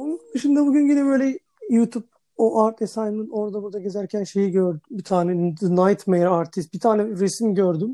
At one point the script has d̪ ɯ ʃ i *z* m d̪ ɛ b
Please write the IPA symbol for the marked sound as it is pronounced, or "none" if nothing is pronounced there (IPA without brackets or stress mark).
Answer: none